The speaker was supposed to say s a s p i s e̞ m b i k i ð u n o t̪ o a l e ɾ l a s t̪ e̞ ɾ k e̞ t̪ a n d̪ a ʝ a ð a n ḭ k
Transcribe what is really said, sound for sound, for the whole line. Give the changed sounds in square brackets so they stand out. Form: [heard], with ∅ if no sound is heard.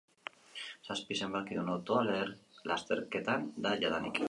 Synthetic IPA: s a s p i s e̞ m b [a] k i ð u n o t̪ o a l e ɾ l a s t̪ e̞ ɾ k e̞ t̪ a n d̪ a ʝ a ð a n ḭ k